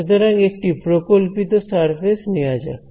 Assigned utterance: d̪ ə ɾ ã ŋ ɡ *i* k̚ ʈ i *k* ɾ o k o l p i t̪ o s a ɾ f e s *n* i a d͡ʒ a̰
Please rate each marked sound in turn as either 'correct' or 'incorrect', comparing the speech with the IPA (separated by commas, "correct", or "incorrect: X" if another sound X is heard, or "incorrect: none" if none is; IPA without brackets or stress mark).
incorrect: e, incorrect: p, correct